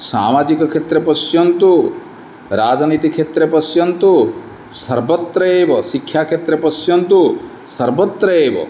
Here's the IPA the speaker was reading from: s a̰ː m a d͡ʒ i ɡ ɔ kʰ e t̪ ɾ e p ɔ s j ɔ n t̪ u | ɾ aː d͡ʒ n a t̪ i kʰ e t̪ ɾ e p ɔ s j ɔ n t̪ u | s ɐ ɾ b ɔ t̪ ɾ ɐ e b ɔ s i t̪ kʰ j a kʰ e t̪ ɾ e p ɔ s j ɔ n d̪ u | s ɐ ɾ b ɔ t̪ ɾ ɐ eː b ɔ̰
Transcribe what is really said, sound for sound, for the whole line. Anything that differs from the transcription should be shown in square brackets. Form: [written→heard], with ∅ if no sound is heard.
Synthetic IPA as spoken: s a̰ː m a d͡ʒ i [ɡ→k] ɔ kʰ e t̪ ɾ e p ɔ s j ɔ n t̪ u | ɾ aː d͡ʒ n [a→i] t̪ i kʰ e t̪ ɾ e p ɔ s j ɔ n t̪ u | s ɐ ɾ b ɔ t̪ ɾ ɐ e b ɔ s i [t̪→∅] kʰ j a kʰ e t̪ ɾ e p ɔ s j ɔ n [d̪→t̪] u | s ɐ ɾ b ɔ t̪ ɾ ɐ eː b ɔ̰